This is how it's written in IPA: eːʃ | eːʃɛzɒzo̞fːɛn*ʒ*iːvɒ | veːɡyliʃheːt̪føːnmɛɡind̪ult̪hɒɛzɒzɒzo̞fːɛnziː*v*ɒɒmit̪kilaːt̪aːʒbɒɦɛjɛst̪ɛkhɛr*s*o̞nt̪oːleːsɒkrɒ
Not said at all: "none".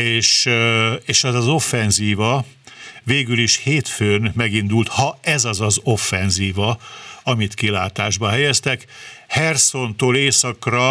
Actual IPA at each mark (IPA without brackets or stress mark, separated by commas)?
z, v, s